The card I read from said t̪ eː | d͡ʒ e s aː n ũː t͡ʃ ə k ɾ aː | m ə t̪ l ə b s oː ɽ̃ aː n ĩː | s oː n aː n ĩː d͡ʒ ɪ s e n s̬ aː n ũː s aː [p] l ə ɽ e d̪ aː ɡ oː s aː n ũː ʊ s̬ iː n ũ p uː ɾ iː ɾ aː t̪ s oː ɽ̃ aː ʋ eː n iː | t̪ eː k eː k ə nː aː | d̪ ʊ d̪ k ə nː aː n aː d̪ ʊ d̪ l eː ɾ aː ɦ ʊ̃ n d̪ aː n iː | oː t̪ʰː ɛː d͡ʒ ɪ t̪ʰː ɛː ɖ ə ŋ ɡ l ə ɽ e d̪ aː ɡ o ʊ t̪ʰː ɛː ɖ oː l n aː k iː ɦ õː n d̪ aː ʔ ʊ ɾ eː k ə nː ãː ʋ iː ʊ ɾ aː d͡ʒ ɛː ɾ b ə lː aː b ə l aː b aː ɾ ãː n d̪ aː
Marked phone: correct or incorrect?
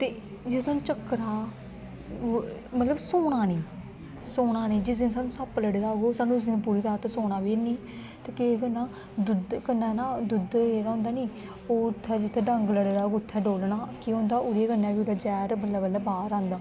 correct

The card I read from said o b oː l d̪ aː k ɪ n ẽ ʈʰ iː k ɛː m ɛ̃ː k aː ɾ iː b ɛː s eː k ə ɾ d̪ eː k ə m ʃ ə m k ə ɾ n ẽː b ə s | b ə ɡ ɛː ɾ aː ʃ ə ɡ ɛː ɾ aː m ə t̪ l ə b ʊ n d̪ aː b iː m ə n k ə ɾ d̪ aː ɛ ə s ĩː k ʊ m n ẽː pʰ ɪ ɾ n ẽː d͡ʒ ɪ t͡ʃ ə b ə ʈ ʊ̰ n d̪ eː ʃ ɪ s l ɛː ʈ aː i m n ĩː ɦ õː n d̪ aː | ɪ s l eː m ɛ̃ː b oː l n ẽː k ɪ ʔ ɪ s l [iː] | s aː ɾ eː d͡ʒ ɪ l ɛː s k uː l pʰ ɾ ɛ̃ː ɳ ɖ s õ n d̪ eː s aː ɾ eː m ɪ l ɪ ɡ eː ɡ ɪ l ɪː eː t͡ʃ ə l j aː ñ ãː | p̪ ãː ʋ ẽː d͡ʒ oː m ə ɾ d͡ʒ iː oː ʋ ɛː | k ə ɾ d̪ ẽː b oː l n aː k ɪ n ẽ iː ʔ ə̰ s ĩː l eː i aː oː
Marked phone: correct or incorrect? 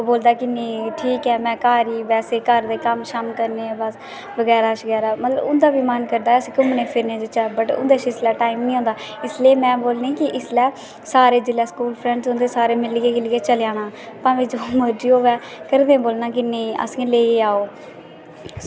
incorrect: ɛː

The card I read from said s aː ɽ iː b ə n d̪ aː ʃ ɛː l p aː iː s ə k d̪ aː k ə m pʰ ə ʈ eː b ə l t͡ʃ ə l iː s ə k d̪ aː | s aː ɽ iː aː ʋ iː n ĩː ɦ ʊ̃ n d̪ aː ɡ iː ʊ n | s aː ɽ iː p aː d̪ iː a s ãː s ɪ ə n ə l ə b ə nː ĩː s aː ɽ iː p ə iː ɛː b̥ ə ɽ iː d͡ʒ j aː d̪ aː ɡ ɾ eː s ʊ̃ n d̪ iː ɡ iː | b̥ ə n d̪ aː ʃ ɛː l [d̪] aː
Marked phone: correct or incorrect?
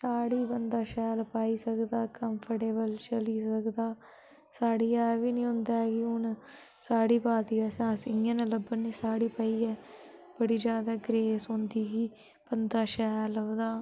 correct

